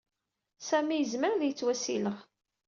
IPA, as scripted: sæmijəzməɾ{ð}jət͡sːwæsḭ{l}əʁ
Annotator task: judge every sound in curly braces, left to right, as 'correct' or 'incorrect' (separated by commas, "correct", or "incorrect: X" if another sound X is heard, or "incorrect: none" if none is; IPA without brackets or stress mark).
correct, correct